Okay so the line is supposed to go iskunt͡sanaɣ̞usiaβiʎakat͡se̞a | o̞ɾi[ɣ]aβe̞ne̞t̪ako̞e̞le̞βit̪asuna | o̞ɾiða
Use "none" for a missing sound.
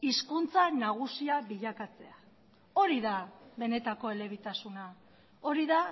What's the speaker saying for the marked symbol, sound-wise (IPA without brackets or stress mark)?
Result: ð